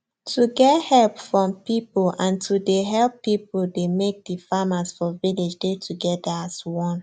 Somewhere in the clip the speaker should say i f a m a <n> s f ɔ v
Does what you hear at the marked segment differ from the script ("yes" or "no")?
yes